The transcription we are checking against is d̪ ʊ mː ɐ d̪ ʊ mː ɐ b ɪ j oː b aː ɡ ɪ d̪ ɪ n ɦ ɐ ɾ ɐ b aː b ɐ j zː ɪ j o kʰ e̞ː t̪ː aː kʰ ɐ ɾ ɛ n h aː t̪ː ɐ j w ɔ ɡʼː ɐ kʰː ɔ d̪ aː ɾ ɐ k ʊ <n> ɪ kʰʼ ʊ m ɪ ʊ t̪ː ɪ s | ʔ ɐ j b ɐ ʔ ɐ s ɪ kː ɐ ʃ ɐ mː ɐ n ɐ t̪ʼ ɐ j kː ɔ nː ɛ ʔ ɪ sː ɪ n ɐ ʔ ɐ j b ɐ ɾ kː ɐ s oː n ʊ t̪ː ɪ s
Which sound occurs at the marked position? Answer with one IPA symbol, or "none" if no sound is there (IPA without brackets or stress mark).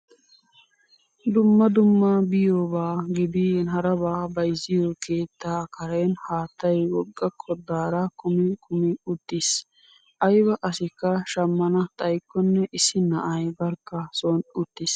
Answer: m